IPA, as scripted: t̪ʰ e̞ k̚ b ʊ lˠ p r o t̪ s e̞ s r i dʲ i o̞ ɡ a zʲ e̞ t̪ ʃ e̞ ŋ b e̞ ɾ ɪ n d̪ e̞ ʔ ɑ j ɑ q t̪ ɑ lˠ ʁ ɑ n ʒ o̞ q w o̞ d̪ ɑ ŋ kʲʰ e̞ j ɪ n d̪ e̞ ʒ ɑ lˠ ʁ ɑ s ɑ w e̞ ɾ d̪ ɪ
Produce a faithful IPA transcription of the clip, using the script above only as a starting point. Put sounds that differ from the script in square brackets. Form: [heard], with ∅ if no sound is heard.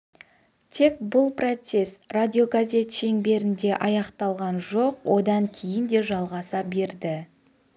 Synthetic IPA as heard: t̪ʰ e̞ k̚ b ʊ lˠ p r o t̪ s e̞ s r [a] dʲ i o̞ ɡ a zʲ e̞ t̪ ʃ e̞ ŋ b e̞ ɾ ɪ n d̪ e̞ ʔ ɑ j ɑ q t̪ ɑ lˠ ʁ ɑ n ʒ o̞ q w o̞ d̪ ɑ ŋ kʲʰ e̞ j ɪ n d̪ e̞ ʒ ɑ lˠ ʁ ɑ s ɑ [b] e̞ ɾ d̪ ɪ